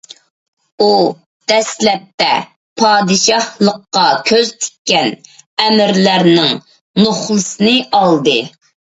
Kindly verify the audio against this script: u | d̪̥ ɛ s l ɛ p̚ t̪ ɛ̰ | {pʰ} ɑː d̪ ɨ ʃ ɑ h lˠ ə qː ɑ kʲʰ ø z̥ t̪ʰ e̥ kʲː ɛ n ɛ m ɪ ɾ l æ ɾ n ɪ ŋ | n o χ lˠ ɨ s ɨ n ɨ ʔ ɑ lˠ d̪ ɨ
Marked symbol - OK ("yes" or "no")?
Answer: yes